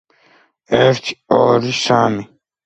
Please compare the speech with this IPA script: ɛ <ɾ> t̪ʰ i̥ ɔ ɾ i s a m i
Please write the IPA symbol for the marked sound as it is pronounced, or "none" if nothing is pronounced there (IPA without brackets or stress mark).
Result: ɾ